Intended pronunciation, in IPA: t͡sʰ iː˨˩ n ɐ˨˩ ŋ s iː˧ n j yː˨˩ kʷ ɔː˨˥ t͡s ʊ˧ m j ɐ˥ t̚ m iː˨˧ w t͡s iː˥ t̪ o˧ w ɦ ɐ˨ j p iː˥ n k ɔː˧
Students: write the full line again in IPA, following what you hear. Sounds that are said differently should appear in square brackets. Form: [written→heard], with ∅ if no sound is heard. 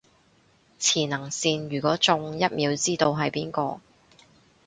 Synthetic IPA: t͡sʰ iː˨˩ n ɐ˨˩ ŋ s iː˧ n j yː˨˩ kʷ ɔː˨˥ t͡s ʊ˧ [m→ŋ] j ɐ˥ t̚ m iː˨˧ w t͡s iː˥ t̪ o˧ w ɦ ɐ˨ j p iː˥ n k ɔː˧